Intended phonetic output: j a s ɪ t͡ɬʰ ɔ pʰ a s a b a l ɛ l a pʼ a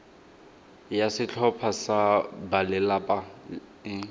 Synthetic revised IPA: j a s ɪ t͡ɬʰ ɔ pʰ a s a b a l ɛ l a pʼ a